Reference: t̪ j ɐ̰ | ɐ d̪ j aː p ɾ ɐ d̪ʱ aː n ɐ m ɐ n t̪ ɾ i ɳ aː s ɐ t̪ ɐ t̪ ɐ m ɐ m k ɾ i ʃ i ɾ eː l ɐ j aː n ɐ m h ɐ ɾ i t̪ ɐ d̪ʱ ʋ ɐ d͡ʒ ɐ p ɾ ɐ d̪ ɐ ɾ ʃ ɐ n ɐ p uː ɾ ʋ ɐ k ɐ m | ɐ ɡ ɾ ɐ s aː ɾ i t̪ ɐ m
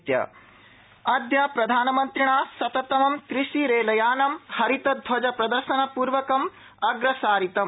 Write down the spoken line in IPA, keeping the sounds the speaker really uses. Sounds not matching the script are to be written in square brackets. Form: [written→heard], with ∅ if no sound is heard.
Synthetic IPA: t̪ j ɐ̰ | ɐ d̪ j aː p ɾ ɐ d̪ʱ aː n ɐ m ɐ n t̪ ɾ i ɳ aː s ɐ t̪ ɐ t̪ ɐ m ɐ m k ɾ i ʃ i ɾ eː l ɐ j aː n ɐ m h ɐ ɾ i t̪ ɐ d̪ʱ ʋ ɐ d͡ʒ ɐ p ɾ ɐ d̪ ɐ ɾ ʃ ɐ n ɐ p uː ɾ ʋ ɐ k ɐ m | ɐ ɡ ɾ ɐ s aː ɾ i t̪ ɐ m